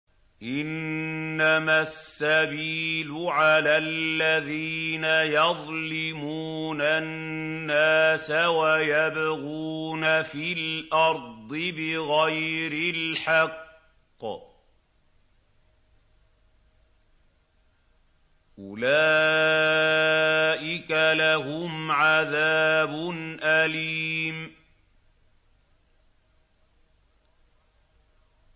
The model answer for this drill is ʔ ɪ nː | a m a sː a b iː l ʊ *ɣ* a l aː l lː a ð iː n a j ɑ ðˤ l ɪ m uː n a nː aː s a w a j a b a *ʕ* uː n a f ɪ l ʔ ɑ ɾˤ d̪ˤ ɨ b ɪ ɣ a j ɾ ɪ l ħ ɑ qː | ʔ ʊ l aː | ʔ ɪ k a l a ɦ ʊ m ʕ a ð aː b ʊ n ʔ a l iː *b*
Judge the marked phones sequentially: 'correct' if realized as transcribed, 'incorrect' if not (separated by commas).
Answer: incorrect, incorrect, incorrect